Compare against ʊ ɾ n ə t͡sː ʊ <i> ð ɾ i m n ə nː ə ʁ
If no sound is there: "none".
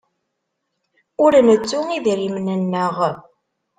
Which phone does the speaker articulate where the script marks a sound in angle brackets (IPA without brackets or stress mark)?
i